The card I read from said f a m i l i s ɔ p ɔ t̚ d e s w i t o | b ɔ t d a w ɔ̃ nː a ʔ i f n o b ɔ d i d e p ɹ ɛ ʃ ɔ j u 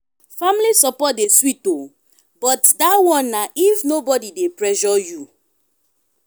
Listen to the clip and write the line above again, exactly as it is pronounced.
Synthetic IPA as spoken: f a m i l i s ɔ p ɔ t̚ d e s w i t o | b ɔ t d a w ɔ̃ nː a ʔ i f n o b ɔ d i d e p ɹ ɛ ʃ ɔ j u